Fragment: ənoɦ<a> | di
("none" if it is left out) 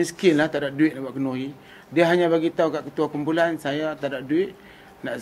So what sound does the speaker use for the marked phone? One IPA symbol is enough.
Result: i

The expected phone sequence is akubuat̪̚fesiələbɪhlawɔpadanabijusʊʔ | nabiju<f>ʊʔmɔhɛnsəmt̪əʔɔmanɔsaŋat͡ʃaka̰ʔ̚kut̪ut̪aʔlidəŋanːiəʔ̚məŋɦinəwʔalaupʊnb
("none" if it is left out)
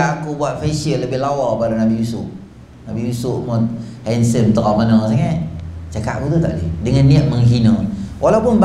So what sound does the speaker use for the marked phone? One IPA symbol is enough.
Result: s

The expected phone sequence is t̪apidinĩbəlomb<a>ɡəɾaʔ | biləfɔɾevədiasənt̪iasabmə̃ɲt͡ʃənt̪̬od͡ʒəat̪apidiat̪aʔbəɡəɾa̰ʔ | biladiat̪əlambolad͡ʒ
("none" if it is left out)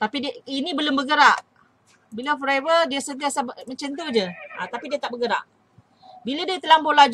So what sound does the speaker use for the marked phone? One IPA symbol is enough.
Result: ə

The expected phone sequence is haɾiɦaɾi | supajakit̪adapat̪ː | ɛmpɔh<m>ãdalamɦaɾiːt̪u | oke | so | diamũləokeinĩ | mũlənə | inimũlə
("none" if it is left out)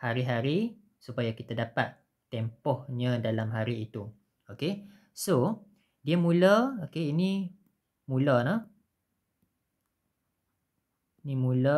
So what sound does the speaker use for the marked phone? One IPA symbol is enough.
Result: ɲ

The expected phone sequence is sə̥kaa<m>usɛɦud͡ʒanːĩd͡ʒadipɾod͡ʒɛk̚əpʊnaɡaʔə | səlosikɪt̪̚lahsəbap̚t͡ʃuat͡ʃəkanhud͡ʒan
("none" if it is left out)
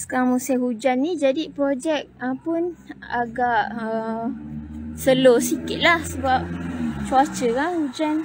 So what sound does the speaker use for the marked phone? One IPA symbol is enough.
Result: m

